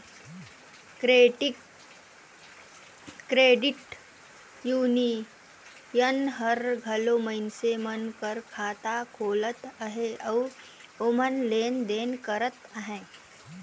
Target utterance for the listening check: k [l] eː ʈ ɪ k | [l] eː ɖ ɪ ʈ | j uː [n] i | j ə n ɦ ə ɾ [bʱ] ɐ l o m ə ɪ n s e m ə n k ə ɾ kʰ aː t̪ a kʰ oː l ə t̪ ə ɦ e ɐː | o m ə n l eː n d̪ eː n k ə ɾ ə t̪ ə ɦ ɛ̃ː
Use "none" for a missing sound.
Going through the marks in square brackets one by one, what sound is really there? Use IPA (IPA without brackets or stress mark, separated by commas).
ɾ, ɾ, n, ɡʱ